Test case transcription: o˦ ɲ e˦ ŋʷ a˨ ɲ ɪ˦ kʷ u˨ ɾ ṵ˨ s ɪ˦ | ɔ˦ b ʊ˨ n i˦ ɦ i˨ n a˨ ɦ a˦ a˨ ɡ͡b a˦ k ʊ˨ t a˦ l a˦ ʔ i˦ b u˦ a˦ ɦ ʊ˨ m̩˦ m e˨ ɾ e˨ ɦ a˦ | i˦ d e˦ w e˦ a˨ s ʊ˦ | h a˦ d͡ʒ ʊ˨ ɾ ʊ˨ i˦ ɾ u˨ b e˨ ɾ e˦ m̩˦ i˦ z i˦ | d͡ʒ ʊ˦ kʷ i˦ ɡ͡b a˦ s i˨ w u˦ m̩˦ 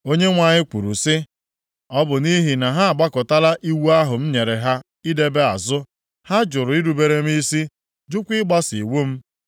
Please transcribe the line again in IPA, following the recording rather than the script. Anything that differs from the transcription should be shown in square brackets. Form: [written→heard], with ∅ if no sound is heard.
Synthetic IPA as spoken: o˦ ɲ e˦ ŋʷ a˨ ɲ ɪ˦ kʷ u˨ ɾ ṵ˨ s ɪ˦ | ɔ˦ b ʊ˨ n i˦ ɦ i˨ n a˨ ɦ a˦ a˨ ɡ͡b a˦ k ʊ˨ t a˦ l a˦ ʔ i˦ [b→w] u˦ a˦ ɦ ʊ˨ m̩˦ [m→ɲ] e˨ ɾ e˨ ɦ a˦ | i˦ d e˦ [w→b] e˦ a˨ [s→z] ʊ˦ | h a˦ d͡ʒ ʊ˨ ɾ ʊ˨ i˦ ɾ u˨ b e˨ ɾ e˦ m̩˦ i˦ [z→s] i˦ | d͡ʒ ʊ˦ kʷ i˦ ɡ͡b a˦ s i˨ w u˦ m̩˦